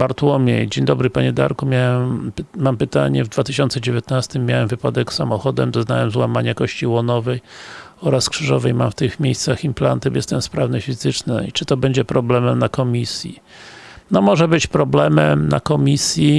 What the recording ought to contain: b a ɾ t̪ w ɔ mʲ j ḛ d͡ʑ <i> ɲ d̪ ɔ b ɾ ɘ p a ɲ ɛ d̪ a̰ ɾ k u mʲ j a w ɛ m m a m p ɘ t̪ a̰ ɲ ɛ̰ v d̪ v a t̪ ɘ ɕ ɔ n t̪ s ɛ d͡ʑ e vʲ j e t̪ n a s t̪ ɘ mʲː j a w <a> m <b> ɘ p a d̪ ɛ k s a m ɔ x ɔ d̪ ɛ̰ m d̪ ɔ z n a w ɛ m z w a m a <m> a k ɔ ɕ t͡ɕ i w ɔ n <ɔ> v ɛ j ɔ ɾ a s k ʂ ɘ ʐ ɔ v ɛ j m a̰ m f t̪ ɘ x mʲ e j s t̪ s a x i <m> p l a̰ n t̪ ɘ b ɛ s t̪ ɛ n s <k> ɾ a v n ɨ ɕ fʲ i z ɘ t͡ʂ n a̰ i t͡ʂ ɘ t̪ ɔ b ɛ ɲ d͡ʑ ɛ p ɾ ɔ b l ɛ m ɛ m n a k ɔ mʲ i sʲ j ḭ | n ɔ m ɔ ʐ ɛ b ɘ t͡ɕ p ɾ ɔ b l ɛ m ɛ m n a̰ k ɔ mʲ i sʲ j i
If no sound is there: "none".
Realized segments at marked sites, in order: e, ɛ, v, ɲ, ɔ, m, p

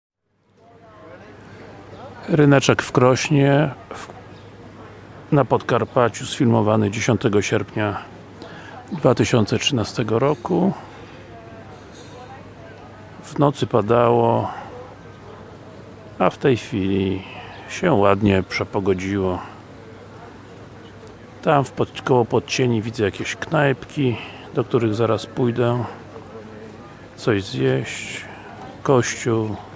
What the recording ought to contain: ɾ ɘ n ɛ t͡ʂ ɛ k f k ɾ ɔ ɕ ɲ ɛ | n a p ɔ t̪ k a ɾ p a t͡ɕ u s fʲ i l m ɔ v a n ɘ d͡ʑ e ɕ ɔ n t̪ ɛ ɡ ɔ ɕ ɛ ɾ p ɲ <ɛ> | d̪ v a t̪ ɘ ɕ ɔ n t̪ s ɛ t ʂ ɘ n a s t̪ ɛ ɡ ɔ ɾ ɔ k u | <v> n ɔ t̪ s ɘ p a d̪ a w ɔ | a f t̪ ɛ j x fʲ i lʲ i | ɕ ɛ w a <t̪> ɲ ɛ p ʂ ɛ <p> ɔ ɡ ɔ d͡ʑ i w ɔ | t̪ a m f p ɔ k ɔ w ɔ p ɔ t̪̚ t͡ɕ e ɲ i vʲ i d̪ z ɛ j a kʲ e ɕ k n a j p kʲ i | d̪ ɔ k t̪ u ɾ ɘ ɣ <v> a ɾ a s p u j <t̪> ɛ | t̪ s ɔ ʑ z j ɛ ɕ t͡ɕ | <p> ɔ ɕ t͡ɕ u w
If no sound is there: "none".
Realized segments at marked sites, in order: a, v, d̪, p, z, d̪, k

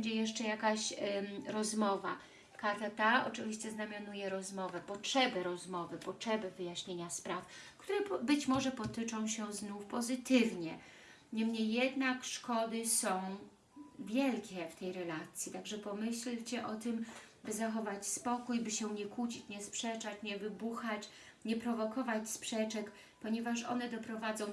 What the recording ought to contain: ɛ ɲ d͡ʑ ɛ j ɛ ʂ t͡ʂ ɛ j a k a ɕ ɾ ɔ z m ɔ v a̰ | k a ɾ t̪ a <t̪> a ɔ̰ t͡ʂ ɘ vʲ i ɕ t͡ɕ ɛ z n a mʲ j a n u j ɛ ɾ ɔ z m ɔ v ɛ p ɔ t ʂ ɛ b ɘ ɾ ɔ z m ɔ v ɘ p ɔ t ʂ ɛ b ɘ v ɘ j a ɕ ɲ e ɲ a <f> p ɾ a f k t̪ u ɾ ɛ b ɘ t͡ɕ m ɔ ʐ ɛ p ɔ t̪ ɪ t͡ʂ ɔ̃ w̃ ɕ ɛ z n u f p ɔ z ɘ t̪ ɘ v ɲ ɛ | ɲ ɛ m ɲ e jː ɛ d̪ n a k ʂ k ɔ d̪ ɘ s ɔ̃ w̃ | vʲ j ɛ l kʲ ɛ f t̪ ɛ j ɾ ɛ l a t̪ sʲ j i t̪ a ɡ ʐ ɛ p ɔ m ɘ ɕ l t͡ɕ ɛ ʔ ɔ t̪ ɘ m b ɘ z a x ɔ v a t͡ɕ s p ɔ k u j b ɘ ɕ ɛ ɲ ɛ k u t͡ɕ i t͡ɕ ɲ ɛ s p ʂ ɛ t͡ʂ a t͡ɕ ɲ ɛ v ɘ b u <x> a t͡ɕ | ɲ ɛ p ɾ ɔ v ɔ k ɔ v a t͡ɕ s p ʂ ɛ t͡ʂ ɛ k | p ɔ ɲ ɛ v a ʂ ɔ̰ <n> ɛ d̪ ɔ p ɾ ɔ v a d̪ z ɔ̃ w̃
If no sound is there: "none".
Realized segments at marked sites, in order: t̪, s, x, n

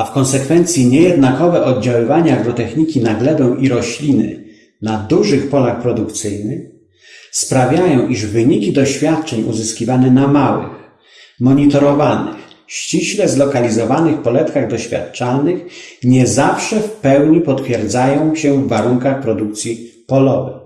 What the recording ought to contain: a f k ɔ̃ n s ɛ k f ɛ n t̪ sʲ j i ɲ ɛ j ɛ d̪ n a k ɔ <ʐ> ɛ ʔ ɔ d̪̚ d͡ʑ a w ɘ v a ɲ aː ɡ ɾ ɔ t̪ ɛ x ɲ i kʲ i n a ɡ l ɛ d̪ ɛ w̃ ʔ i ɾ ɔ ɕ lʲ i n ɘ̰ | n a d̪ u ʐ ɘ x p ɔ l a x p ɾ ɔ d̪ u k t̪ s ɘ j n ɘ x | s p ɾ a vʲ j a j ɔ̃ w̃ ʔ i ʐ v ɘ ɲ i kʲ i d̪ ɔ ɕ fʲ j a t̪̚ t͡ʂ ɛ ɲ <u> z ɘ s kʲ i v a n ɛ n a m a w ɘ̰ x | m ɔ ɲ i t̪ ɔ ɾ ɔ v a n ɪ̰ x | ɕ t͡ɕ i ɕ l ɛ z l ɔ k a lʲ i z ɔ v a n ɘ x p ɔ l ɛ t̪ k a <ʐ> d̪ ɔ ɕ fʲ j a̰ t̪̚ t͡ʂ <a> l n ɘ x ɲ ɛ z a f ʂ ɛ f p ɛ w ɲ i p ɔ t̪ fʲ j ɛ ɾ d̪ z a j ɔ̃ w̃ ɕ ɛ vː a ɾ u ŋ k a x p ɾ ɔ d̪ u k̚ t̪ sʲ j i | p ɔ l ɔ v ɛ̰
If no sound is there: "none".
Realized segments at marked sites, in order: v, u, ɣ, a

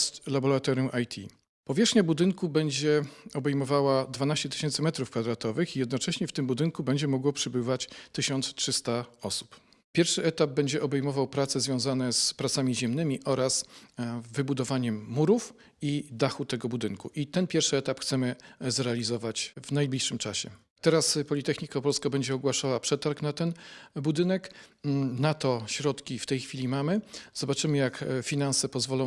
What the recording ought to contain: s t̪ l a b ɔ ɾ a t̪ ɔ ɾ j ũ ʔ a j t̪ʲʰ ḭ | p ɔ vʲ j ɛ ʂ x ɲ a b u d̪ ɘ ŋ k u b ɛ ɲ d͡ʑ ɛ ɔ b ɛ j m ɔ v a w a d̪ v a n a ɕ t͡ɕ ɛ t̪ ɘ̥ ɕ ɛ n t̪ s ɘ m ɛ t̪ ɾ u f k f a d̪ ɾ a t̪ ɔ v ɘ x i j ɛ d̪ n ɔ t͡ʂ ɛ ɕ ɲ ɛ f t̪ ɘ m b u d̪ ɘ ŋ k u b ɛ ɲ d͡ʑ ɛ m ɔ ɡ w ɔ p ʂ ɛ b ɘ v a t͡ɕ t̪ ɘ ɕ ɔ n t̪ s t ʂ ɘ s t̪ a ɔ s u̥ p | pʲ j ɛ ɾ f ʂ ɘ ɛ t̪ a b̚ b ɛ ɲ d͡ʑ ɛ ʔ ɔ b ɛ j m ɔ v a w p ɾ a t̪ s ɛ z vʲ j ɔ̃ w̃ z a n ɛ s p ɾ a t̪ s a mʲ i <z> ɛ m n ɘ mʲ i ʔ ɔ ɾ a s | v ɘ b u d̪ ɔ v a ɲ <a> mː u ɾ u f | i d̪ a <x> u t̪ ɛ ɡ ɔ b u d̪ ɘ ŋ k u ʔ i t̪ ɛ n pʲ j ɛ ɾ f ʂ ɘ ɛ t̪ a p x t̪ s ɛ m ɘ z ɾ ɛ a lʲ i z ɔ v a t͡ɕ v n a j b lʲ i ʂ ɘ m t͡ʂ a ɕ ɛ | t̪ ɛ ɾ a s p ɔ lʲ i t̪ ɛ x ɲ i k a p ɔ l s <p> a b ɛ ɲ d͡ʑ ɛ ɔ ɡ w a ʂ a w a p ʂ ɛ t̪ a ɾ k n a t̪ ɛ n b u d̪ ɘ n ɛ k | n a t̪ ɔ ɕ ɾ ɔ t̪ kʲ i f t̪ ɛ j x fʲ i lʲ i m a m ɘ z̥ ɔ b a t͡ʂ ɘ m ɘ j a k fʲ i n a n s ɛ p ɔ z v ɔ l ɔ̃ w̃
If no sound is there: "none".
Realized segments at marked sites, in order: ʑ, ɛ, x, k

